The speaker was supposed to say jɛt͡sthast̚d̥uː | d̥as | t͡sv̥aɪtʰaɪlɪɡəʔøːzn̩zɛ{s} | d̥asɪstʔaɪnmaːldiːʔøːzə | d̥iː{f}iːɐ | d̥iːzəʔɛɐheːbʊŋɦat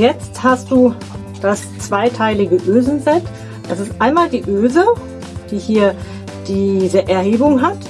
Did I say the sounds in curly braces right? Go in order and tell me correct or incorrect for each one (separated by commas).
incorrect, incorrect